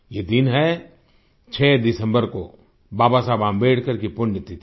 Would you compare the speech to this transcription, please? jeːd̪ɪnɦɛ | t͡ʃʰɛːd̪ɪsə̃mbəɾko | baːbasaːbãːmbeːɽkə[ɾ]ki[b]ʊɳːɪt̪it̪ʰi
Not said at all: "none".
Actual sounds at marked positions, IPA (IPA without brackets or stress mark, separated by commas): ɾ, p